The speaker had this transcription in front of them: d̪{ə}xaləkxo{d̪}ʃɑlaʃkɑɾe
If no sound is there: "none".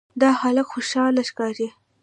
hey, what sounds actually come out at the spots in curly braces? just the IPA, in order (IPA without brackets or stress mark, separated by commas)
ɑ, none